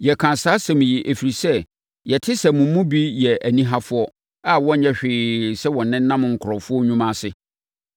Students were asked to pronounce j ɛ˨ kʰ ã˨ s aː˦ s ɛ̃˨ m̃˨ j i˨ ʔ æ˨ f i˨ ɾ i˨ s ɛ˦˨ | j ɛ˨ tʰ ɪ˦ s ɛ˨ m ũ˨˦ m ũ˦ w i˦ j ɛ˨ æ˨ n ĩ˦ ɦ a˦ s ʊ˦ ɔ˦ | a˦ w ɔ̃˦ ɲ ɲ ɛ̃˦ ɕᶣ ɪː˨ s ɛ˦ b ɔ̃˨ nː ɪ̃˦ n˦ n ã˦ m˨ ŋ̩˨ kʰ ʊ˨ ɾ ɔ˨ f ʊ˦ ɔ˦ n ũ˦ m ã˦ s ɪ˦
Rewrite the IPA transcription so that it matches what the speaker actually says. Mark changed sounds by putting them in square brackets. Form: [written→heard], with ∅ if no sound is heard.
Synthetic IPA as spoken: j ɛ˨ kʰ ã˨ s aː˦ s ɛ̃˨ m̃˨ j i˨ ʔ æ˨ f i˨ ɾ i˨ s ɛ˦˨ | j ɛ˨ tʰ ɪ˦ s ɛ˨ m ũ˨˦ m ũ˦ [w→b] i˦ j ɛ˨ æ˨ n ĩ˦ ɦ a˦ [s→f] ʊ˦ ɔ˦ | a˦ w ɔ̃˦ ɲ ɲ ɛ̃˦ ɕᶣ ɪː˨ s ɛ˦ [b→w] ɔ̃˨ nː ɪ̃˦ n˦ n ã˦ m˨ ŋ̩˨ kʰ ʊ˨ ɾ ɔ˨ f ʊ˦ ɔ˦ [n→ɲ] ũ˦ m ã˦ s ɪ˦